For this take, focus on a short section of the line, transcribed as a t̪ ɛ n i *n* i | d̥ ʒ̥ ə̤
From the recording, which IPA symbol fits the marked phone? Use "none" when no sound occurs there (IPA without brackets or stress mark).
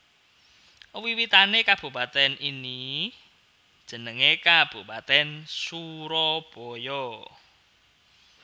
n